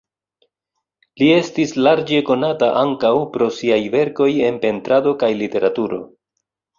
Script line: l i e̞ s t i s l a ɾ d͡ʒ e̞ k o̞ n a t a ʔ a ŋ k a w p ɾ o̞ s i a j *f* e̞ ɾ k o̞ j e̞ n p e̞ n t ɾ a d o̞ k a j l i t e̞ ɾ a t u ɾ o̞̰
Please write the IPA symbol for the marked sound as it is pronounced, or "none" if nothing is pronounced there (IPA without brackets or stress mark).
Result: v